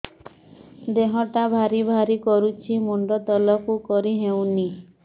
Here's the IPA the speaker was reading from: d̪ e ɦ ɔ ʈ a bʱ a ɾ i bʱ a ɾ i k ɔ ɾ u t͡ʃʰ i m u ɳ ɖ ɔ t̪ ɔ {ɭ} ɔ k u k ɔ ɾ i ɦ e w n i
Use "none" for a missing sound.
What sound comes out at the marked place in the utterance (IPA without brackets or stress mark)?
l